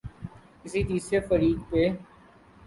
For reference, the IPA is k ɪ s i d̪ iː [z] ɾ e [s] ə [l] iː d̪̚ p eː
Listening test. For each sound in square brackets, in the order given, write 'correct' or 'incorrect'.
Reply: incorrect: s, incorrect: f, incorrect: ɾ

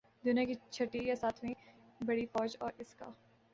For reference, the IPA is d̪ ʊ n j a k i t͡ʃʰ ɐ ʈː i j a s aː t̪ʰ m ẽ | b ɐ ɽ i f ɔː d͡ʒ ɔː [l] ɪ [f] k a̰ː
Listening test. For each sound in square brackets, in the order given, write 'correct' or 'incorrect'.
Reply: incorrect: ɾ, incorrect: s

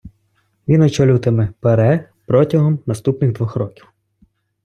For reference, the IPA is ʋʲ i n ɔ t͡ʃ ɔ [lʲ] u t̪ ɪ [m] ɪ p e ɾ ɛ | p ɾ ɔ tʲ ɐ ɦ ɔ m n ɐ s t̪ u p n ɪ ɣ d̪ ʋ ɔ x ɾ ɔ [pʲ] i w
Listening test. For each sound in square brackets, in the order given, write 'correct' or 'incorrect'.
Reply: correct, correct, incorrect: kʲ

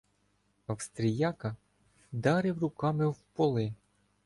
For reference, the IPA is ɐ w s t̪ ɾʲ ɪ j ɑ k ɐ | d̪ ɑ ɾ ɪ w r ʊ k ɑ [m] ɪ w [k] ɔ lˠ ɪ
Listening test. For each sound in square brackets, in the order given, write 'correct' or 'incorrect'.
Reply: correct, incorrect: p

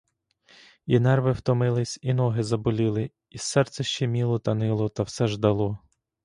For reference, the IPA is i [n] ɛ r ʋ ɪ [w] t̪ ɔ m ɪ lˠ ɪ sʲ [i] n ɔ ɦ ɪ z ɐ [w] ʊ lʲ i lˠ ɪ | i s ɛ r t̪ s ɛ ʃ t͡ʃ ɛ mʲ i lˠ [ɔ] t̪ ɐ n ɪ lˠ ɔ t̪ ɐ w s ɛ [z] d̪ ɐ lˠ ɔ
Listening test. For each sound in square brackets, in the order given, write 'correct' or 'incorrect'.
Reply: correct, correct, correct, incorrect: b, correct, incorrect: ʒ

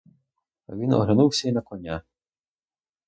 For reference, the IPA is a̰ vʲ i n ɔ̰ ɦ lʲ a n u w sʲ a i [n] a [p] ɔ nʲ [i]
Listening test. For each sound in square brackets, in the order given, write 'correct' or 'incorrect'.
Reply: correct, incorrect: k, incorrect: a

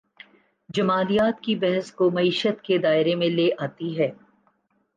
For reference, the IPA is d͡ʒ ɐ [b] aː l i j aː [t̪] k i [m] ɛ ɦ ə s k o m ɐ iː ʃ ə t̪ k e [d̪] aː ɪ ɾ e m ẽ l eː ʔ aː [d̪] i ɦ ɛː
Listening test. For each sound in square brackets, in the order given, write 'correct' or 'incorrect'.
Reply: incorrect: m, correct, incorrect: b, correct, incorrect: t̪

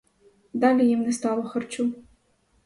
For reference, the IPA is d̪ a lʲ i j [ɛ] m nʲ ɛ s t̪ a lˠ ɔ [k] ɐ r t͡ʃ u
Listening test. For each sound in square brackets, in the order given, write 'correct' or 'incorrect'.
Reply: incorrect: i, incorrect: x

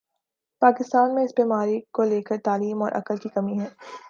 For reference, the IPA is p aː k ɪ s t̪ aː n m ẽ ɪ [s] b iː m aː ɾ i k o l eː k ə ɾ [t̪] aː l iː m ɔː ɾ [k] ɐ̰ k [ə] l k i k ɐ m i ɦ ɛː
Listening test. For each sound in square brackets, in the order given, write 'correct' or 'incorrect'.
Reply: correct, correct, incorrect: ʔ, correct

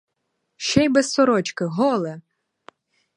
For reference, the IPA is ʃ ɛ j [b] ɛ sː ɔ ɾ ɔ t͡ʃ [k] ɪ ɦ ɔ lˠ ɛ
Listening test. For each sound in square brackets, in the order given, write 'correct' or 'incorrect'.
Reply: correct, correct

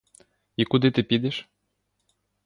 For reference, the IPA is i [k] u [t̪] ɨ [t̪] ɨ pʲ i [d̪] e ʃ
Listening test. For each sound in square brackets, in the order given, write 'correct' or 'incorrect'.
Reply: correct, incorrect: d̪, correct, correct

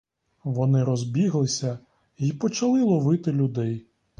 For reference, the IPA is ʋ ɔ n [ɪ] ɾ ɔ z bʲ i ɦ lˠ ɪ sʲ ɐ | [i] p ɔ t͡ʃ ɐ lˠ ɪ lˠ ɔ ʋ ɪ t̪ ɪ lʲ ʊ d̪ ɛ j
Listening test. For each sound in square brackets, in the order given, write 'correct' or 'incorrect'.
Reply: correct, correct

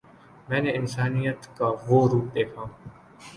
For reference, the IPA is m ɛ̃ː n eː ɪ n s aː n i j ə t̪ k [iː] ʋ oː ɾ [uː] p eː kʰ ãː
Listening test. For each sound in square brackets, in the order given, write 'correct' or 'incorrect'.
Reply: incorrect: aː, correct

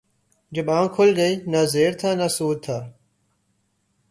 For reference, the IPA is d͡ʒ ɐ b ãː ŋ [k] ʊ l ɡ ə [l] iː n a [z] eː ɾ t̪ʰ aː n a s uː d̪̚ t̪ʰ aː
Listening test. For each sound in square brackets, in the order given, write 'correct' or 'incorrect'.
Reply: incorrect: kʰ, incorrect: none, correct

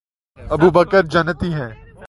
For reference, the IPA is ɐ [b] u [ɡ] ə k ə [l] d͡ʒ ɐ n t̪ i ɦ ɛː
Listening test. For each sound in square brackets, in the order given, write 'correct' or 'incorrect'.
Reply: correct, incorrect: b, incorrect: ɾ

